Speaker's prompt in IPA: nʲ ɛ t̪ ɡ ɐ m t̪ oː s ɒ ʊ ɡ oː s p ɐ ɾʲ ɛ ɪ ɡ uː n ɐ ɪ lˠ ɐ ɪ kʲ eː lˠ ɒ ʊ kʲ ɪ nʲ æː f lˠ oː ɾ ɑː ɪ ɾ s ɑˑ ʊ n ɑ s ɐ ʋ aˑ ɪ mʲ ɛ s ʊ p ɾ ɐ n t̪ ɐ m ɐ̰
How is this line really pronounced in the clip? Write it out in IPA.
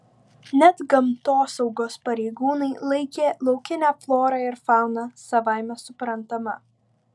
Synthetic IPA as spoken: nʲ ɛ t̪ ɡ ɐ m t̪ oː s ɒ ʊ ɡ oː s p ɐ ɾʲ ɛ ɪ ɡ uː n ɐ ɪ lˠ ɐ ɪ kʲ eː lˠ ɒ ʊ kʲ ɪ nʲ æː f lˠ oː ɾ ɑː ɪ ɾ f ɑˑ ʊ n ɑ s ɐ ʋ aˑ ɪ mʲ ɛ s ʊ p ɾ ɐ n t̪ ɐ m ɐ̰